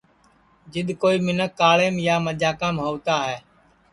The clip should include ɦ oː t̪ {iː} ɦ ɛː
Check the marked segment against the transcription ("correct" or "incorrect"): incorrect